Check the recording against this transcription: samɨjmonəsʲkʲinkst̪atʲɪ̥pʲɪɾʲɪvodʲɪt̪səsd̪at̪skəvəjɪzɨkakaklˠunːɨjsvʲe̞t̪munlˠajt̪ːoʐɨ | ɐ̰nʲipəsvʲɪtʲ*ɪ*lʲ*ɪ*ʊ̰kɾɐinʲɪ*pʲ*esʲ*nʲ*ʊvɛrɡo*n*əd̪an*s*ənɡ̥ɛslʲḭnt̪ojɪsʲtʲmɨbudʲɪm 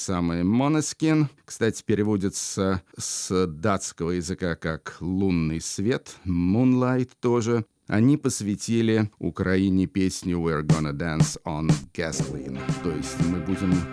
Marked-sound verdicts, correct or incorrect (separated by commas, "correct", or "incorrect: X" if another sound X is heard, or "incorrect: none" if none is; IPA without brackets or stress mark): incorrect: i, correct, correct, correct, correct, correct